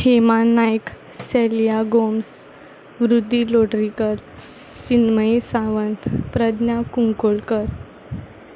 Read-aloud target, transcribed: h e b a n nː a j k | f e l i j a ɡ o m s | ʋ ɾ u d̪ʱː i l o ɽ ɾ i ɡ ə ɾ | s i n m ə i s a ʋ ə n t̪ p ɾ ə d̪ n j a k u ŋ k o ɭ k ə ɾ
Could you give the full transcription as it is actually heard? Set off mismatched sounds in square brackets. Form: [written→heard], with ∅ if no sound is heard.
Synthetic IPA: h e [b→m] a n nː a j k | [f→s] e l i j a ɡ o m s | ʋ ɾ u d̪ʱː i l o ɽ ɾ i [ɡ→k] ə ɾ | s i n m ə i s a ʋ ə n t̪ p ɾ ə d̪ n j a k u ŋ k o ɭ k ə ɾ